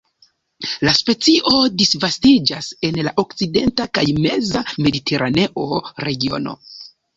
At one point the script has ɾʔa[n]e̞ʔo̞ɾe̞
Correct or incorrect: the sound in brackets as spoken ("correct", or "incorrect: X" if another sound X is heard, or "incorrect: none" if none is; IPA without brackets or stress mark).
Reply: correct